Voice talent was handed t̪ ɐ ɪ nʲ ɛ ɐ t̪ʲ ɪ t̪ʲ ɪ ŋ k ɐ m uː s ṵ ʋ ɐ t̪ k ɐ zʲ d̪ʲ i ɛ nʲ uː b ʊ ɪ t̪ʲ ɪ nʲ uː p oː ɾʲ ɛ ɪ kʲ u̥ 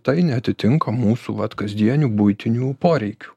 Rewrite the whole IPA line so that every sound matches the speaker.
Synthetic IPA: t̪ ɐ ɪ nʲ ɛ ɐ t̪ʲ ɪ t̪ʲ ɪ ŋ k ɐ m uː s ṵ ʋ ɐ t̪ k ɐ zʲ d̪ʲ i ɛ nʲ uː b ʊ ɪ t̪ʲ ɪ nʲ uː p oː ɾʲ ɛ ɪ kʲ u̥